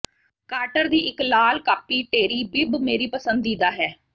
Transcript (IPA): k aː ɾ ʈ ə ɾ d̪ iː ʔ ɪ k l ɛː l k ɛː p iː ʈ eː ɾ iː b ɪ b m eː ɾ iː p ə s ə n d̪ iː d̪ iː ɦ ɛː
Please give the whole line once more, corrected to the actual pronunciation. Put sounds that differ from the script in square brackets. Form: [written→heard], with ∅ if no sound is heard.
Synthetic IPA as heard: k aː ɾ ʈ ə ɾ d̪ iː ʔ ɪ k l [ɛː→aː] l k [ɛː→aː] p iː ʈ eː ɾ iː b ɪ b m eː ɾ iː p ə s ə n d̪ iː d̪ [iː→aː] ɦ ɛː